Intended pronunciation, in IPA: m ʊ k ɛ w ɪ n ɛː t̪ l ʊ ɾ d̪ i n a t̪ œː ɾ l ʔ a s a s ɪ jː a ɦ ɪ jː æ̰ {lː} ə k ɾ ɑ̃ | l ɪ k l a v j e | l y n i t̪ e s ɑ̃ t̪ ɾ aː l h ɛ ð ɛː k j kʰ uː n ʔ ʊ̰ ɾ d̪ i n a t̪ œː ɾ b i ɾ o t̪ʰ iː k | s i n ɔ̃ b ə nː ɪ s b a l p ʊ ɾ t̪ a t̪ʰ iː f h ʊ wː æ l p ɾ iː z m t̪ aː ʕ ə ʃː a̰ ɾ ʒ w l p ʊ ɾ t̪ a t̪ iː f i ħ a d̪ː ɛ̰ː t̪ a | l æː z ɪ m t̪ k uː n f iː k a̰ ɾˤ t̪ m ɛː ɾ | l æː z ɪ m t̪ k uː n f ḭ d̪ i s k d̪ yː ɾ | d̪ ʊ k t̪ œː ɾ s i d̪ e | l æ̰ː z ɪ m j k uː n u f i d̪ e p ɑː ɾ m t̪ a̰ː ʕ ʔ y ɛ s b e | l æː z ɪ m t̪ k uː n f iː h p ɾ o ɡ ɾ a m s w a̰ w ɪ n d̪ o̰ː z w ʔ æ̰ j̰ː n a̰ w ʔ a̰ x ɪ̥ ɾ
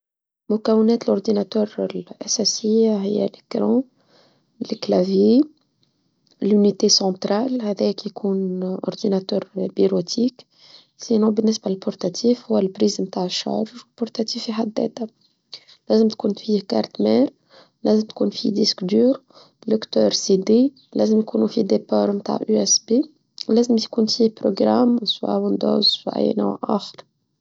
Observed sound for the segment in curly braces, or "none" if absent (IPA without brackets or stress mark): l